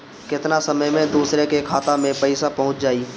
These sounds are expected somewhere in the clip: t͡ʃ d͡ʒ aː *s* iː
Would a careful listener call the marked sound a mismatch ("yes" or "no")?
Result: yes